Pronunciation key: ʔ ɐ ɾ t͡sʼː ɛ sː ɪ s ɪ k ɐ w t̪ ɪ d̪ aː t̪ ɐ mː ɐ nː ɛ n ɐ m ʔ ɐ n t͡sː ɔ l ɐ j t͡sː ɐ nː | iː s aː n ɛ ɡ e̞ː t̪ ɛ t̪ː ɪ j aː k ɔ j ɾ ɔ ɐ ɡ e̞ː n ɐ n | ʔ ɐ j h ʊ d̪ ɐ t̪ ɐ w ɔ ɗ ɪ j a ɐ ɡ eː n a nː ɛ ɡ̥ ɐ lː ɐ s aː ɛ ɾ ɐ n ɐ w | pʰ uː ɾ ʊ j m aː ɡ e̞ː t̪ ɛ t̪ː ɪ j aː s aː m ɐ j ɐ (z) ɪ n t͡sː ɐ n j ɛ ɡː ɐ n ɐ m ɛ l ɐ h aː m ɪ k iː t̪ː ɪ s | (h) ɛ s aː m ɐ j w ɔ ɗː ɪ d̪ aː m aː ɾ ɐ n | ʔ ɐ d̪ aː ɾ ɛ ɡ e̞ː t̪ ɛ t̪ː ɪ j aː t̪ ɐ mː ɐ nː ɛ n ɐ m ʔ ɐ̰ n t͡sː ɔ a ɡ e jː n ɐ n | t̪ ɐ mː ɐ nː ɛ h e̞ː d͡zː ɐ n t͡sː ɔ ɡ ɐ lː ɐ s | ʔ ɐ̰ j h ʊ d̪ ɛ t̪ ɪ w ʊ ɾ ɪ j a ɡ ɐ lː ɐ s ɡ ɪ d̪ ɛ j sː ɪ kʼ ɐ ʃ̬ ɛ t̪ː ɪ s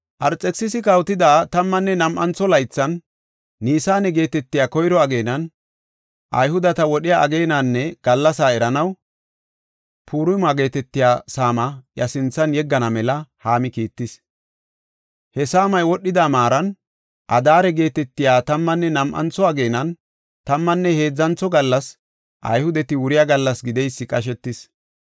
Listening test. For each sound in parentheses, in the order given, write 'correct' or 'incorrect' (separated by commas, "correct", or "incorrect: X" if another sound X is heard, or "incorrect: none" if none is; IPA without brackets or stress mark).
incorrect: s, correct